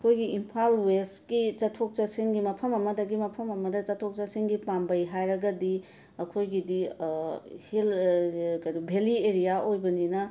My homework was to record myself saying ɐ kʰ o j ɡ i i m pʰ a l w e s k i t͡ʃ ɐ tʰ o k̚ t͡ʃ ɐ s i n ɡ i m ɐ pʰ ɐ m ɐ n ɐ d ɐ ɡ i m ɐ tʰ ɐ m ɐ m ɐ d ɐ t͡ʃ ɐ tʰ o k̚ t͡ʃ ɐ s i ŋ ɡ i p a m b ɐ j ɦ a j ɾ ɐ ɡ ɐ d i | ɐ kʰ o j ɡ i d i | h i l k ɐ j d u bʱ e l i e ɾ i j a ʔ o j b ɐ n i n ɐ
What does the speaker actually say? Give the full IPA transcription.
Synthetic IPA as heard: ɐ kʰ o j ɡ i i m pʰ a l w e s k i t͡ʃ ɐ tʰ o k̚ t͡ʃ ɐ s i ŋ ɡ i m ɐ pʰ ɐ m ɐ m ɐ d ɐ ɡ i m ɐ pʰ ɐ m ɐ m ɐ d ɐ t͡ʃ ɐ tʰ o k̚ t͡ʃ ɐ s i ŋ ɡ i p a m b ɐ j ɦ a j ɾ ɐ ɡ ɐ d i | ɐ kʰ o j ɡ i d i | h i l k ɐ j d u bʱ e l i e ɾ i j a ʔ o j b ɐ n i n ɐ